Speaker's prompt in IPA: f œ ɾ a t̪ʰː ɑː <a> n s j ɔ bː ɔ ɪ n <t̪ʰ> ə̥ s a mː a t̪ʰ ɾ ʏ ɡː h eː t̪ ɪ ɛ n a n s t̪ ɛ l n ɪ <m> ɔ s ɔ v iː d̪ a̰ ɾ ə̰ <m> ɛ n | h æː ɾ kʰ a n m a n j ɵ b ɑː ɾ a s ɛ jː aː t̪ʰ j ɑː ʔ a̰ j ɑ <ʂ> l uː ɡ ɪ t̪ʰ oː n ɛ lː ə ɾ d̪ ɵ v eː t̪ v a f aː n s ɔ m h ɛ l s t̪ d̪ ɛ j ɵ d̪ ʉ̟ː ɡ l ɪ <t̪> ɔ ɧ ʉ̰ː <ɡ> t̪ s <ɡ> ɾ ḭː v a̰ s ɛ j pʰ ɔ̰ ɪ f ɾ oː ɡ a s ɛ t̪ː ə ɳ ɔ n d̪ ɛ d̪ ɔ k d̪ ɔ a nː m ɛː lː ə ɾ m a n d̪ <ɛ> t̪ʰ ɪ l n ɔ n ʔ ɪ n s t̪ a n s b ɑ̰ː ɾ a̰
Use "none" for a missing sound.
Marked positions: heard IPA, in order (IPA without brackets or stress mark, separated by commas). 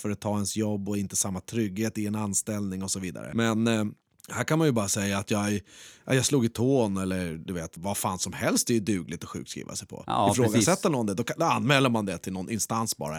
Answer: ɛ, t̪, ŋ, m, s, t̪, k, k, ɛ